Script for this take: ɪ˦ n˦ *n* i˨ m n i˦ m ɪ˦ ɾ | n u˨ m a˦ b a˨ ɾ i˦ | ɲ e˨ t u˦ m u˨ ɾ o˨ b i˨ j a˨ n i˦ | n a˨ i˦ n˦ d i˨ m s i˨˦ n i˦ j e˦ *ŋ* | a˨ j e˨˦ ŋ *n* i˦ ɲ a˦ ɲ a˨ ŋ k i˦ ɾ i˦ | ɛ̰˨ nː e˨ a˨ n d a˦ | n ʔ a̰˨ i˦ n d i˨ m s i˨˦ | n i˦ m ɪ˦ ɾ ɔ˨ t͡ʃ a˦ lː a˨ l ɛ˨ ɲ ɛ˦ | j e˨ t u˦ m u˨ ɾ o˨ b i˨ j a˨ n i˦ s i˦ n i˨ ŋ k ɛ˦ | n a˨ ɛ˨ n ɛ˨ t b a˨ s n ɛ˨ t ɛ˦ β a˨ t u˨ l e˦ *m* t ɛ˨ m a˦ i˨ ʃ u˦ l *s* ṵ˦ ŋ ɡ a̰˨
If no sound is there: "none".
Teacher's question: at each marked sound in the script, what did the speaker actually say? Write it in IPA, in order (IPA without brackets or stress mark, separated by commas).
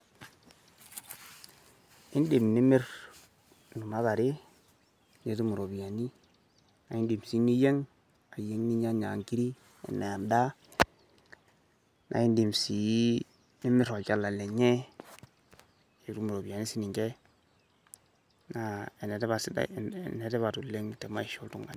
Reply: d, ŋ, n, ŋ, t